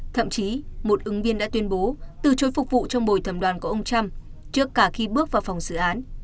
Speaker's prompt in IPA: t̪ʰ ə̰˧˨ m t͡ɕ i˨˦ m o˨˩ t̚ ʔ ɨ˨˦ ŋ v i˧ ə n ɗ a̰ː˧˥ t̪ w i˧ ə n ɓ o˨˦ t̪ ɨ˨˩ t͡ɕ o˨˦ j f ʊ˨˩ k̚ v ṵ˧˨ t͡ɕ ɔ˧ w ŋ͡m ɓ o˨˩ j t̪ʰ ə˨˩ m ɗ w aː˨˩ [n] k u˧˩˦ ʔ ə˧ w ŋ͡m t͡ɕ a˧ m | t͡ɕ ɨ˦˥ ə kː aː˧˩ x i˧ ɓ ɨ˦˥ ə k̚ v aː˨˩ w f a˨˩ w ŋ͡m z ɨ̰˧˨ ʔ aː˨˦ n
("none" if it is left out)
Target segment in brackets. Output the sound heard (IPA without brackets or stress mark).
n